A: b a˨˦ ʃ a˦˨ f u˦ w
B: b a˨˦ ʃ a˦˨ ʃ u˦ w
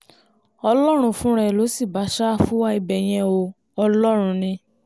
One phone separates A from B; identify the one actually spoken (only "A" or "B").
A